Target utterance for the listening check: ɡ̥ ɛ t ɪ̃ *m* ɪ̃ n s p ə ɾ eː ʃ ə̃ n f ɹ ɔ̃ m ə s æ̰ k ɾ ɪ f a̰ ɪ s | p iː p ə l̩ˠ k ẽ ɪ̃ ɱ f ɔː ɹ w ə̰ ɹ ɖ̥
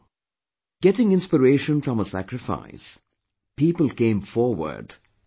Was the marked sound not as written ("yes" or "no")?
yes